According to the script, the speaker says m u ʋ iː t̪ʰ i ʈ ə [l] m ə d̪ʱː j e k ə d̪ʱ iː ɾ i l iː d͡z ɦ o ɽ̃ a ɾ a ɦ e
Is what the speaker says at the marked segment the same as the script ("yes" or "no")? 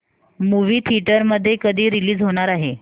no